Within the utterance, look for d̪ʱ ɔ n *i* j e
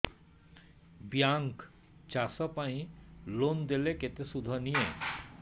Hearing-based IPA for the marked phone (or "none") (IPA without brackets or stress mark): i